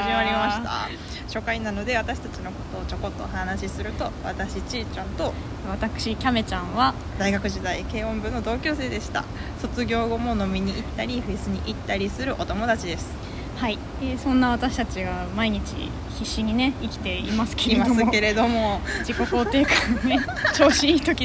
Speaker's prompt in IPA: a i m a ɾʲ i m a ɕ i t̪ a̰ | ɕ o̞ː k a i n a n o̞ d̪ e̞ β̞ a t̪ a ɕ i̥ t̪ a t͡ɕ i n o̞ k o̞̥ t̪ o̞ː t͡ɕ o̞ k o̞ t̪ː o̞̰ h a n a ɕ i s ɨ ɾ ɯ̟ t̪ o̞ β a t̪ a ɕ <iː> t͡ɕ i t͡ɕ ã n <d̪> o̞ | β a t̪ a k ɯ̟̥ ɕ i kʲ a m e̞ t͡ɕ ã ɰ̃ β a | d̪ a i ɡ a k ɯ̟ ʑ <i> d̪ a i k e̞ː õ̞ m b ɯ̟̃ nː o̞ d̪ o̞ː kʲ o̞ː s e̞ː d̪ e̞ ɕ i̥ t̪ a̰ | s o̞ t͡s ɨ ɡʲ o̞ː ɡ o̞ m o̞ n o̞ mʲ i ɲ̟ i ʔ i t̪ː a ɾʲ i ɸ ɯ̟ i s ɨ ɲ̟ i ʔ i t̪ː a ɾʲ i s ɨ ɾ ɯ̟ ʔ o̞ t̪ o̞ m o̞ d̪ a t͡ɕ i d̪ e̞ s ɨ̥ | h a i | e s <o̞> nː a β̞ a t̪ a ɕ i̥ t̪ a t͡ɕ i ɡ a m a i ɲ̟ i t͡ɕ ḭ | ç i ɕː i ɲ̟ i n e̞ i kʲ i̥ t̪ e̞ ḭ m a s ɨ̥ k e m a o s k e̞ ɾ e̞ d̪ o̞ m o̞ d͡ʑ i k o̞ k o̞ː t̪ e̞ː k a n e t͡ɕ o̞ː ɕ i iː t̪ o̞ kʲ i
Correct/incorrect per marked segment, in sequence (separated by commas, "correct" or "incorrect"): incorrect, incorrect, correct, incorrect